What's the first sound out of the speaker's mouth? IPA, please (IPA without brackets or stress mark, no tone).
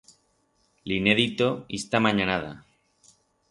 l